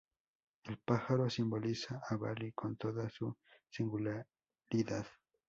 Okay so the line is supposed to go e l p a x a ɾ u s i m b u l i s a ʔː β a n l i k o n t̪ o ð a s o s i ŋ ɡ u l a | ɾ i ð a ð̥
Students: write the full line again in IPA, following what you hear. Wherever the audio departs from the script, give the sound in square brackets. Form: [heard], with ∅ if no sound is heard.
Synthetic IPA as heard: e l p a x a ɾ [o] s i m b [o] l i s a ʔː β a [∅] l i k o n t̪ o ð a s [u] s i ŋ ɡ u l a | ɾ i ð a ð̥